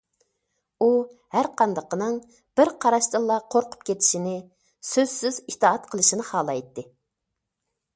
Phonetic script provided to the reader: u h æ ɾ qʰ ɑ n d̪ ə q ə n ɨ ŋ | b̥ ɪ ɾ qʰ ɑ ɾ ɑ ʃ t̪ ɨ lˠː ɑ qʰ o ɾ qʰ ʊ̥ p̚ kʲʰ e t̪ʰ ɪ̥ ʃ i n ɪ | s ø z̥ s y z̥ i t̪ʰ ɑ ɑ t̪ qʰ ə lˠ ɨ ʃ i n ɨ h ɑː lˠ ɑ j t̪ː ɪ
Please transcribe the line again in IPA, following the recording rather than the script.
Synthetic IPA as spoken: u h æ ɾ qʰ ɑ n d̪ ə q ə n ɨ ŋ | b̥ ɪ ɾ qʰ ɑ ɾ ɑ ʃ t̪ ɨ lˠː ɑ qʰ o ɾ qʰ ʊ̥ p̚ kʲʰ e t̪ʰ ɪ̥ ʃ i n ɪ | s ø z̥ s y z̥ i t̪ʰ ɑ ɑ t̪ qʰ ə lˠ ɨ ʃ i n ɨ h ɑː lˠ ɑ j t̪ː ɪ